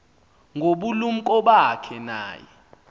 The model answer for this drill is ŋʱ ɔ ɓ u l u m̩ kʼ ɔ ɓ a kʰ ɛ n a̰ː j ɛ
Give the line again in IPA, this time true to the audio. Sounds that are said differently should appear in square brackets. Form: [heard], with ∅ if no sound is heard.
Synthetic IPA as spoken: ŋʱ [o] ɓ u l u m̩ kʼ ɔ ɓ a kʰ ɛ n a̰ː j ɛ